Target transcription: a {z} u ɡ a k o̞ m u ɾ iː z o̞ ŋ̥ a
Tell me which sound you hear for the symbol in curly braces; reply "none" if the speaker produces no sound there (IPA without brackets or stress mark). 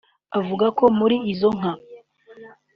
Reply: v